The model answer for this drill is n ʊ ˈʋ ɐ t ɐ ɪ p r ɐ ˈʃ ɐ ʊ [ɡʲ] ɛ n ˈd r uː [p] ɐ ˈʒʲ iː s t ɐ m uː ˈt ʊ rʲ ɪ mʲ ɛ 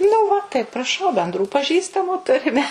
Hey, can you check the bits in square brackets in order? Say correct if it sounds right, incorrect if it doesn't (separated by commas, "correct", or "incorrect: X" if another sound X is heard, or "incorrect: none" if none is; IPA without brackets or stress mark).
incorrect: bʲ, correct